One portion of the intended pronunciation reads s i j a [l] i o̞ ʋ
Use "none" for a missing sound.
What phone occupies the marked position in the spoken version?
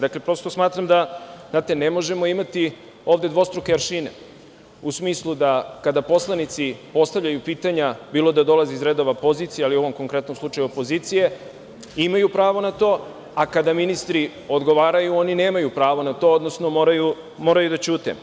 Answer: l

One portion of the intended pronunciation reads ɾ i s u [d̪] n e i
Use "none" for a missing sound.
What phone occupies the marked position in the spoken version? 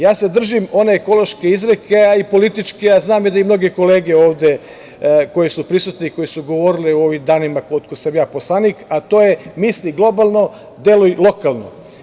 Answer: t̪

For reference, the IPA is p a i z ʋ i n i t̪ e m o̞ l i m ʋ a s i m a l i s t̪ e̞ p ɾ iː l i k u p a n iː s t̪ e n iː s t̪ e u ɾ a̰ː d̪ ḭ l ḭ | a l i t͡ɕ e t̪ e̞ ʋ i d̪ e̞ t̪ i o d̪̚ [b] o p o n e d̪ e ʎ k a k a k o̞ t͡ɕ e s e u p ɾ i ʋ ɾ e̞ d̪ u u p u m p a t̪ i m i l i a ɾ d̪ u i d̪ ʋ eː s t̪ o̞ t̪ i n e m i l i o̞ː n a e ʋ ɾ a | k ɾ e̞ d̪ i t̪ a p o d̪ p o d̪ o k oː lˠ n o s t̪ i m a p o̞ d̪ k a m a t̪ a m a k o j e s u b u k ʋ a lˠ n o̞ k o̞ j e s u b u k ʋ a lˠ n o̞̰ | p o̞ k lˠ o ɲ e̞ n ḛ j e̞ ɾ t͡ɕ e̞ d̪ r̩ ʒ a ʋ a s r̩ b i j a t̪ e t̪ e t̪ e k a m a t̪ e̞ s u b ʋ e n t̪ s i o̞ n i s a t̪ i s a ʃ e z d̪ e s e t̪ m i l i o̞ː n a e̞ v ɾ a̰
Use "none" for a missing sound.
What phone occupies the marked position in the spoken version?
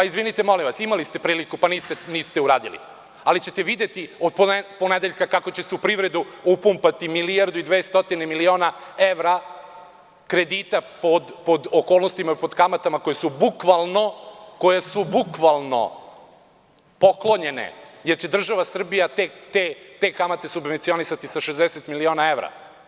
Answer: p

